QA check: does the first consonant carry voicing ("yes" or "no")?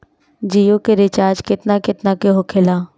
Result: yes